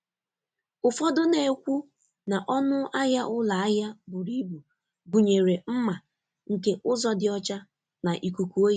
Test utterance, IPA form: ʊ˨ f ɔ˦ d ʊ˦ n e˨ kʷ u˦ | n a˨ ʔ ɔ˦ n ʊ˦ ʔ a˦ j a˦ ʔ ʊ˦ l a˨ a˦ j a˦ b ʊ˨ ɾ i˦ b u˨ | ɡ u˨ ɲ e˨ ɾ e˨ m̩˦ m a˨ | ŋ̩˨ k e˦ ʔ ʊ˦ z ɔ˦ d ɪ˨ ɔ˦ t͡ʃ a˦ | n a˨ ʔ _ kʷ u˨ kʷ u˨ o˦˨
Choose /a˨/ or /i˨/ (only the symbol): i˨